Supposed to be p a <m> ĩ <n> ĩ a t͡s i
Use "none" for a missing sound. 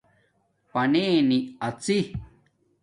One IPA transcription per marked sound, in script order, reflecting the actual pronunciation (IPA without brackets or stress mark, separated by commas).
n, n